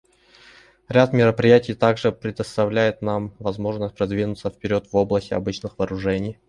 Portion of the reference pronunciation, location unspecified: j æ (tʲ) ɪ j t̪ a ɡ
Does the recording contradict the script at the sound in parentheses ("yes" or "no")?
no